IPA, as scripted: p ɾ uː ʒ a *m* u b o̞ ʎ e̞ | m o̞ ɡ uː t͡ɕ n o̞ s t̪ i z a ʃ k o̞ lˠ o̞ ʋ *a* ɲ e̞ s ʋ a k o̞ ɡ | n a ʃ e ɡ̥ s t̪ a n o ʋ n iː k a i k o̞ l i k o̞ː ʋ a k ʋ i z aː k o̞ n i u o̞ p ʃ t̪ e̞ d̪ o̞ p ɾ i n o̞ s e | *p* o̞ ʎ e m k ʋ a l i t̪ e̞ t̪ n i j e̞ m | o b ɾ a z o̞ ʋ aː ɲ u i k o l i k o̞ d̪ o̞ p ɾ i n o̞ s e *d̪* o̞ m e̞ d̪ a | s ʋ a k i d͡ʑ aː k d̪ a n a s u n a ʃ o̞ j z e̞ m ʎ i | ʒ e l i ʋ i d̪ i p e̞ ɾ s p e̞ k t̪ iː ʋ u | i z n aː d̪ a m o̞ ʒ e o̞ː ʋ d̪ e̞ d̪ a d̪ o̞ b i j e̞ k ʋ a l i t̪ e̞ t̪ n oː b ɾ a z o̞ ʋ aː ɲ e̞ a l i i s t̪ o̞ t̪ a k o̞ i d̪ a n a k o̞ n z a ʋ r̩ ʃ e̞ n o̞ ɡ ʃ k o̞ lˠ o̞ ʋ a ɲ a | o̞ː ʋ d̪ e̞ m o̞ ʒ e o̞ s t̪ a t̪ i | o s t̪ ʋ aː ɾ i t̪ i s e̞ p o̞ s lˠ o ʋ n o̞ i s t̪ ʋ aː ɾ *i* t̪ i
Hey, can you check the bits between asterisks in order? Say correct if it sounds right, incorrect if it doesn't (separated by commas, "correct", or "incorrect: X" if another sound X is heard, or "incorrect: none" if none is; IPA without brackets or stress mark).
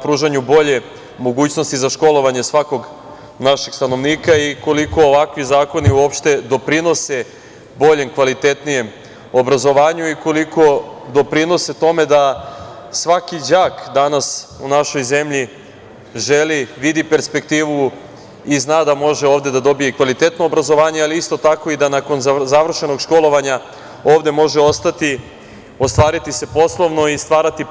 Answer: incorrect: ɲ, correct, incorrect: b, incorrect: t̪, incorrect: a